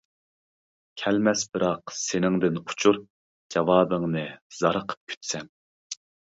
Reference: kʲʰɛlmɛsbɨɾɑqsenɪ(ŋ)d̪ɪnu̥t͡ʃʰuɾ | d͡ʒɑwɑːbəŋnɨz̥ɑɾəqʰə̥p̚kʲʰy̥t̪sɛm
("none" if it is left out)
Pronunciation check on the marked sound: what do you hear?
ŋ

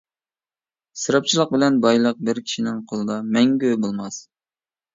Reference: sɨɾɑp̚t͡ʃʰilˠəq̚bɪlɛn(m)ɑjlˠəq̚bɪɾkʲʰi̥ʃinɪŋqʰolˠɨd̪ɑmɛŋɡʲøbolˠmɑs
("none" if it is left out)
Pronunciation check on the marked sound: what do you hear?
b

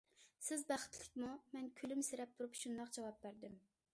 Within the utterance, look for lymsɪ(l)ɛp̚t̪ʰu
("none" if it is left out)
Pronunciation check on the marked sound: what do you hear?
ɾ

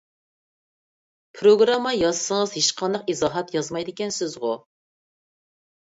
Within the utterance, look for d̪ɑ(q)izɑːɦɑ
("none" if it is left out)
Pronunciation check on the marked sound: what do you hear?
q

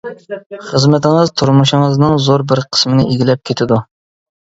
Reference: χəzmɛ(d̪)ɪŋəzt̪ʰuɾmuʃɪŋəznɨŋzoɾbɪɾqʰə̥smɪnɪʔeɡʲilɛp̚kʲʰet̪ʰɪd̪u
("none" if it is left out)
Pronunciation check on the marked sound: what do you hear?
t̪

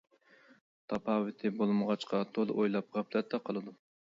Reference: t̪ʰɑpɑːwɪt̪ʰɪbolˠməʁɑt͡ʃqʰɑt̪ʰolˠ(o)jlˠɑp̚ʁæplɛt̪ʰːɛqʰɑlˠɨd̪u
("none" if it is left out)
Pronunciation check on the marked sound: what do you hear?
o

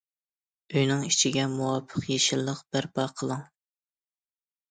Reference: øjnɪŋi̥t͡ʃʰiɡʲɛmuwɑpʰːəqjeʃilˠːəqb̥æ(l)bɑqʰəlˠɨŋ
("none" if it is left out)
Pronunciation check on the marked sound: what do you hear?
ɾ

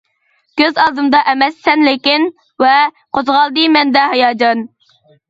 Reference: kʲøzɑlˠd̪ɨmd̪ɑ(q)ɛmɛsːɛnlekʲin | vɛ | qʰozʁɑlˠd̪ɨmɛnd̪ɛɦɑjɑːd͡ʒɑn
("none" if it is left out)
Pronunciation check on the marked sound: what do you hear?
ʔ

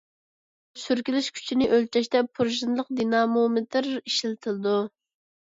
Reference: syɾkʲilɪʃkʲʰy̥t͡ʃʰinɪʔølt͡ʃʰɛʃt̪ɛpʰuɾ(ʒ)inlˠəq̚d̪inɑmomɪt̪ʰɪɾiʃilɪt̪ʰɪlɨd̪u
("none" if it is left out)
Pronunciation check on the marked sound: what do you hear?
ʒ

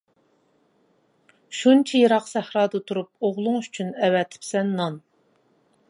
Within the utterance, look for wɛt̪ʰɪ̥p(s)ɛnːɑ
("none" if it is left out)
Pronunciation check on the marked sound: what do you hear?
s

